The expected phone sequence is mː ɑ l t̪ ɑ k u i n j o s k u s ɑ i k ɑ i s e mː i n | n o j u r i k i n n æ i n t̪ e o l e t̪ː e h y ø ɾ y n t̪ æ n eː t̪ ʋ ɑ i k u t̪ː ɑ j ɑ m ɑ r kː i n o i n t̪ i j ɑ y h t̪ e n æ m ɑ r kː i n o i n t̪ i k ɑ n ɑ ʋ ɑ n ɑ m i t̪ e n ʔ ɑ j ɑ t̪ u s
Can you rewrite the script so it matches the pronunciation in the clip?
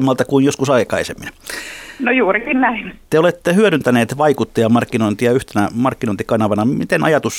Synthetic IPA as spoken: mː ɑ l t̪ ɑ k u i n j o s k u s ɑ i k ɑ i s e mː i n | n o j uː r i k i n n æ i n t̪ e o l e t̪ː e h y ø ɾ y n t̪ æ n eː t̪ ʋ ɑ i k u t̪ː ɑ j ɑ m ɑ r kː i n o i n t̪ i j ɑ y h t̪ e n æ m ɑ r kː i n o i n t̪ i k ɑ n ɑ ʋ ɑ n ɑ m i t̪ e n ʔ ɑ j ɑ t̪ u s